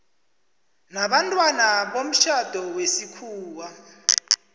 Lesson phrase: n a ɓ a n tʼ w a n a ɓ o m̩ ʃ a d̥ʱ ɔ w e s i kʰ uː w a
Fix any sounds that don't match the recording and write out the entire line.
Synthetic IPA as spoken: n a ɓ a n tʼ w a n a ɓ o m̩ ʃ a d̥ʱ ɔ w e s i kʰ uː w a